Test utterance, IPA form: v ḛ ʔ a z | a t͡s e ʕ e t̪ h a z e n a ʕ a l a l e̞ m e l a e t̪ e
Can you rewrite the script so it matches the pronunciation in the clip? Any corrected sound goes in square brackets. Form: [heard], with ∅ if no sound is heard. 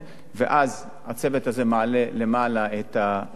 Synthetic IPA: v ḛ ʔ a z | a t͡s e [v] e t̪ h a z e [m] a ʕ a l [e] l e̞ m [a] l a e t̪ [a]